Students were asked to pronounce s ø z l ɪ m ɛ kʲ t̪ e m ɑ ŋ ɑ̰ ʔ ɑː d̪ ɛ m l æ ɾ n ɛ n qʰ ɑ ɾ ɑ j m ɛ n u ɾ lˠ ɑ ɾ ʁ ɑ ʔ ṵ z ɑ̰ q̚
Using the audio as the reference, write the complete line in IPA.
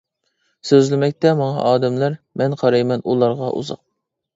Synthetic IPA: s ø z l ɪ m ɛ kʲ t̪ ɛ m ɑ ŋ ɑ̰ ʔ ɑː d̪ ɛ m l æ ɾ m ɛ n qʰ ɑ ɾ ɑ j m ɛ n u lˠ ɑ ɾ ʁ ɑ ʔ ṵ z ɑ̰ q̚

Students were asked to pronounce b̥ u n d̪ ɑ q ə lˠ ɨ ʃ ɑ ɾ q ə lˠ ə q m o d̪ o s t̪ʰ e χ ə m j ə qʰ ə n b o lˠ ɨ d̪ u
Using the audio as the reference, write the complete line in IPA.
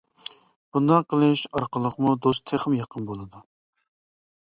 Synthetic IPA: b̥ u n d̪ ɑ q ə lˠ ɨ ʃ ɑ ɾ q ə lˠ ə q m u d̪ o s t̪ʰ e χ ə m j ɑ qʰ ə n b o lˠ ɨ d̪ u

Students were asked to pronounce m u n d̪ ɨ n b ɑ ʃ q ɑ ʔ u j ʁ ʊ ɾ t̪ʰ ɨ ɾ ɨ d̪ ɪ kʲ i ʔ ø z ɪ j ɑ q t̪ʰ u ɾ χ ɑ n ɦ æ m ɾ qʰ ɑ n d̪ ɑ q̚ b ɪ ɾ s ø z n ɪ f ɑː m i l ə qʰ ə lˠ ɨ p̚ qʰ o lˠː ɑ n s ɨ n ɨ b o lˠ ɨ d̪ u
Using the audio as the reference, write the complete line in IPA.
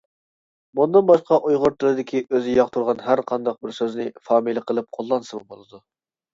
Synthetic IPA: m u n d̪ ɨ n b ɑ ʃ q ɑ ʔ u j ʁ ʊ ɾ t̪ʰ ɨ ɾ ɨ d̪ ɪ kʲ i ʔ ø z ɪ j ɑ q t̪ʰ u ɾ ʁ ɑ n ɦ æ ɾ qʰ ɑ n d̪ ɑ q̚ b ɪ ɾ s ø z n ɪ f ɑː m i l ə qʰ ə lˠ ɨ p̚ qʰ o lˠː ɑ n s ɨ m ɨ b o lˠ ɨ d̪ u

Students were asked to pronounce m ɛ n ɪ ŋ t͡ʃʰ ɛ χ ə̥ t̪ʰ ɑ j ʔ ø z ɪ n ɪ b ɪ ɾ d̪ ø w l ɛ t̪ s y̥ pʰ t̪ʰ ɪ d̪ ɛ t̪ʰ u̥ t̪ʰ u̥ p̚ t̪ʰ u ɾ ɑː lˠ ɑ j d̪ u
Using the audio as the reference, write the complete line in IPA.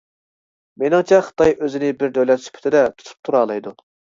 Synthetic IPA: m e n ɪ ŋ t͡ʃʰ ɛ χ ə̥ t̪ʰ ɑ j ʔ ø z ɪ n ɪ b ɪ ɾ d̪ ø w l ɛ t̪ s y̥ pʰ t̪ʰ ɪ d̪ ɛ t̪ʰ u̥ t̪ʰ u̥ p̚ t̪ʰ u ɾ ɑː lˠ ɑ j d̪ u

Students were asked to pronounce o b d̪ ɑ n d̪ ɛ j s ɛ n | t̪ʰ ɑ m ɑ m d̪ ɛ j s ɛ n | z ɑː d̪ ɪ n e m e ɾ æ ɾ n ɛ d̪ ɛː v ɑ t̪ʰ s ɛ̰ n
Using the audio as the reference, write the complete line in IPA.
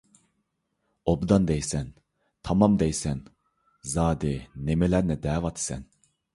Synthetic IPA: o b d̪ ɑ n d̪ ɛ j s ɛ n | t̪ʰ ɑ m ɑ m d̪ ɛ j s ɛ n | z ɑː d̪ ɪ n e m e l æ ɾ n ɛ d̪ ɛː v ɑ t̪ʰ s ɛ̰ n

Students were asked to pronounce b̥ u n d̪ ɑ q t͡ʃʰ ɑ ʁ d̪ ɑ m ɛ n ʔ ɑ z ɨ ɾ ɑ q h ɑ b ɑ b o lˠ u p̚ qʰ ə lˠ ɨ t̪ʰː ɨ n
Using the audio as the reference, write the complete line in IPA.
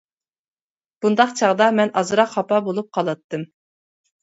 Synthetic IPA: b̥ u n d̪ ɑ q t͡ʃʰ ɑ ʁ d̪ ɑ m ɛ n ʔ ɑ z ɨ ɾ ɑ q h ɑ p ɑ b o lˠ u p̚ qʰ ɑ lˠ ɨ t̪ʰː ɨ m

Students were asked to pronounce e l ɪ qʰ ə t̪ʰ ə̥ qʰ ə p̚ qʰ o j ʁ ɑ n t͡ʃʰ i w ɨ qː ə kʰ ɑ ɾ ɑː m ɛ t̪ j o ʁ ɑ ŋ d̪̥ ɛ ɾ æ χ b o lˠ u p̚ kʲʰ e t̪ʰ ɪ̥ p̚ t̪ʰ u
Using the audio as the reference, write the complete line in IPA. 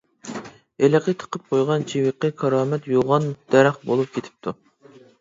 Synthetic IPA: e l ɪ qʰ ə t̪ʰ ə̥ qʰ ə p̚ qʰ o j ʁ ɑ n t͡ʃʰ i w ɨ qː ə kʰ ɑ ɾ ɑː m ɛ t̪ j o ʁ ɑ n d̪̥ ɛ ɾ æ χ b o lˠ u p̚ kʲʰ e t̪ʰ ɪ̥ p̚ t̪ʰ u

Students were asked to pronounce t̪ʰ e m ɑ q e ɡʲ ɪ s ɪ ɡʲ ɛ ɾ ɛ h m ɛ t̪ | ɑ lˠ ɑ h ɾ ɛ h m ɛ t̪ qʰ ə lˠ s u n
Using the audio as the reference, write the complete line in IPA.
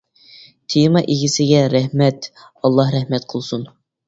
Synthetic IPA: t̪ʰ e m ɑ ʔ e ɡʲ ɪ s ɪ ɡʲ ɛ ɾ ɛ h m ɛ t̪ | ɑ lˠː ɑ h ɾ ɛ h m ɛ t̪ qʰ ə lˠ s u n

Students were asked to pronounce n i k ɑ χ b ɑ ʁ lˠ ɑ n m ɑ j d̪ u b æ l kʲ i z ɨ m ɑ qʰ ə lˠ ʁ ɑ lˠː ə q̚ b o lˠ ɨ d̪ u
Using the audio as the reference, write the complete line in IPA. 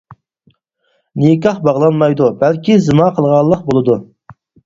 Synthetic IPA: n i k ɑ χ b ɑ ʁ lˠ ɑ n m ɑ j d̪ u b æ l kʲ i z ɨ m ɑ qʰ ə lˠ ʁ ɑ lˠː ə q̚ b o lˠ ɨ d̪ u

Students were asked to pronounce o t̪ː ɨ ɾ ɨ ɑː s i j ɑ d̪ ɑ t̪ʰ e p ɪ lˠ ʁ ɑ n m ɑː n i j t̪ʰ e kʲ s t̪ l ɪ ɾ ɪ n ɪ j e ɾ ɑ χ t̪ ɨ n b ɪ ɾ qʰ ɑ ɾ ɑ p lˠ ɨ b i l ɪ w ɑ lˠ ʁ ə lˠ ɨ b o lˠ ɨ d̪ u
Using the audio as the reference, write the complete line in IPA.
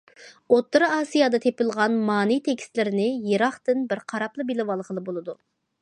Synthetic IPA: o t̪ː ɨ ɾ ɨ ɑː s i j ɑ d̪ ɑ t̪ʰ e p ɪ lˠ ʁ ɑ n m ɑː n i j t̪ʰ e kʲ s t̪ l ɪ ɾ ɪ n ɪ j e ɾ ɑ χ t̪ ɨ n b ɪ ɾ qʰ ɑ ɾ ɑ p lˠ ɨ b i l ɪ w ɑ lˠ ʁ ə lˠ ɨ b o lˠ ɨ d̪ u

